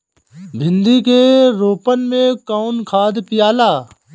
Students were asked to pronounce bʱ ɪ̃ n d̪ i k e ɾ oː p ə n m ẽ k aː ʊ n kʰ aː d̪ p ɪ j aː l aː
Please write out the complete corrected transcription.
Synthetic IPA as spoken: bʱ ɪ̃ n d̪ i k e ɾ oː p ə n m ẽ k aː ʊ n kʰ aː d̪ p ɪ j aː l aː